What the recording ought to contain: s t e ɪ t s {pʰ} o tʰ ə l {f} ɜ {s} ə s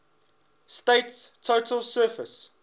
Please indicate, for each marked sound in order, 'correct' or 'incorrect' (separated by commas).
incorrect, incorrect, incorrect